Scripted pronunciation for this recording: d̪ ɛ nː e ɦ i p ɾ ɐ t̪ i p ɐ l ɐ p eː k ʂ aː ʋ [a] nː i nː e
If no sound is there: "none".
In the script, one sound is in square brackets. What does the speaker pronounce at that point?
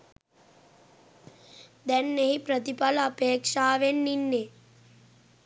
e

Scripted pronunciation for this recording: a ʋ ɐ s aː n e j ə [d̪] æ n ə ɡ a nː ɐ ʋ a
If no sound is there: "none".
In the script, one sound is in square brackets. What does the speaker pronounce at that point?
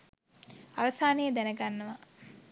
d̪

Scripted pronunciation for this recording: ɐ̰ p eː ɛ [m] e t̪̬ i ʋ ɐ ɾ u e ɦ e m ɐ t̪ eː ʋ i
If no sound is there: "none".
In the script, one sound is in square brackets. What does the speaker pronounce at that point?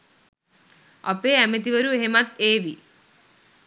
m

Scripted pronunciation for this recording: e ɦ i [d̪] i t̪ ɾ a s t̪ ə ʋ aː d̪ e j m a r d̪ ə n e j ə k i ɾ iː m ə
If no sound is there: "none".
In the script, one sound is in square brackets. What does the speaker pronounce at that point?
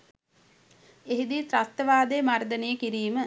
d̪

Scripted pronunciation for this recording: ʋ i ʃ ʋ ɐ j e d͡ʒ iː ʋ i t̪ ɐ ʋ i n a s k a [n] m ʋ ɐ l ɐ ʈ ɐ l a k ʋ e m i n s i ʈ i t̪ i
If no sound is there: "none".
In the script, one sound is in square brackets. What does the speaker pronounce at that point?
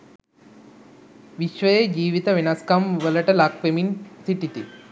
none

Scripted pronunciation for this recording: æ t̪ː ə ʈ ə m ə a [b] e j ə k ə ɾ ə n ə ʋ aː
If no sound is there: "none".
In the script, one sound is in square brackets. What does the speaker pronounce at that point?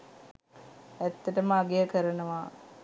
ɡ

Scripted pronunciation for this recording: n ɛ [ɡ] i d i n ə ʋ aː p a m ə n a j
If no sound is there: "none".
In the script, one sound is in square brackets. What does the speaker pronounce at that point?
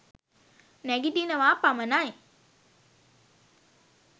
ɡ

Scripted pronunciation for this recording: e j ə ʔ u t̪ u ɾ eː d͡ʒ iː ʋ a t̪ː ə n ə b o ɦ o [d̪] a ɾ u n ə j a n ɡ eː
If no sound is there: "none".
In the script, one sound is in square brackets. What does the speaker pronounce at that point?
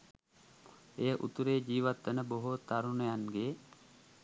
t̪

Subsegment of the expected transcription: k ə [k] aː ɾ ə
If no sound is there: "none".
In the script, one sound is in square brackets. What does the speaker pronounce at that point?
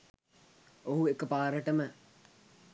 p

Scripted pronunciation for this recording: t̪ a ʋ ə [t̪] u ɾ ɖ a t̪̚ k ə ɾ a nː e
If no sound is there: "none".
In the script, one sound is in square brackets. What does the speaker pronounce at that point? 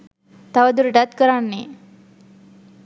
d̪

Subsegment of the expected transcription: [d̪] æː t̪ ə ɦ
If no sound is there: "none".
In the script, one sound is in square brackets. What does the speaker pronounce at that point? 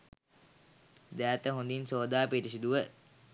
d̪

